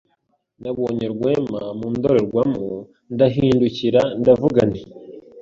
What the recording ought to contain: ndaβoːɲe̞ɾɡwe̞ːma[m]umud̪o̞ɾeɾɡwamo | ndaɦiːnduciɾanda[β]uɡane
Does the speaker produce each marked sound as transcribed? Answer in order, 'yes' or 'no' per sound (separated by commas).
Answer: yes, no